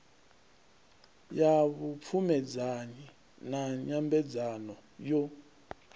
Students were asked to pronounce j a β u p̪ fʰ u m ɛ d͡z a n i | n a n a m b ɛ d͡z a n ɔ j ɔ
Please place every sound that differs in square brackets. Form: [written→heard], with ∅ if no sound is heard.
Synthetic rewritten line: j a β u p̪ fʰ u m ɛ d͡z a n i | n a [n→ɲ] a m b ɛ d͡z a n ɔ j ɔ